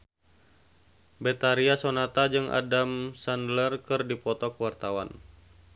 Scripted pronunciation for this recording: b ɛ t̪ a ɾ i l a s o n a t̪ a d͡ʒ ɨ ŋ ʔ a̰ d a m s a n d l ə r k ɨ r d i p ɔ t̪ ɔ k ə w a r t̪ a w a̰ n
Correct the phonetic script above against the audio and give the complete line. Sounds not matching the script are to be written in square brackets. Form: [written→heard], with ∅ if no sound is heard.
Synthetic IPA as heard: b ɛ t̪ a ɾ i [l→∅] a s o n a t̪ a d͡ʒ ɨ ŋ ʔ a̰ d a m s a n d l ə r k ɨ r d i p ɔ t̪ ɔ k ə w a r t̪ a w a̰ n